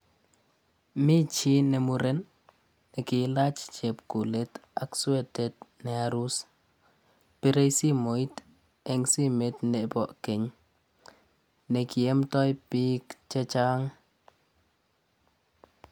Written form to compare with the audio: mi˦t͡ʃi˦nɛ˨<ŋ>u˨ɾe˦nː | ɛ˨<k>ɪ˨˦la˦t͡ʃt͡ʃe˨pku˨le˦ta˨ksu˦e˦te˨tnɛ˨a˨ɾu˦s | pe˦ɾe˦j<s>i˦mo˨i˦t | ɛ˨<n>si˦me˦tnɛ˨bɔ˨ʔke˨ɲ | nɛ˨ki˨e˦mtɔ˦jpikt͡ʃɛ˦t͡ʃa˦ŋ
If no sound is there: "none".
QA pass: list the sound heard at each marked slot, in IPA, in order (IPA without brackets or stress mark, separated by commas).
m, k, s, ŋ